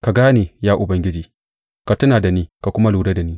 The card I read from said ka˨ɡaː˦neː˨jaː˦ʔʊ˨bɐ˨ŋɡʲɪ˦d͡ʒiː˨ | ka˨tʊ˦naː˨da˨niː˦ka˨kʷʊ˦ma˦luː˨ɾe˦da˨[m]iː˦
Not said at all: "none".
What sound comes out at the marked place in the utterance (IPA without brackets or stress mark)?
n